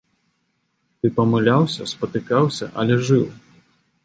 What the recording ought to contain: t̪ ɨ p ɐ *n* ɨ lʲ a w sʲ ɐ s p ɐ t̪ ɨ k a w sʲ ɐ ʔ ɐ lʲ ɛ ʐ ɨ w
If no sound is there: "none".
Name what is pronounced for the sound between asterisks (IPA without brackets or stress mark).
m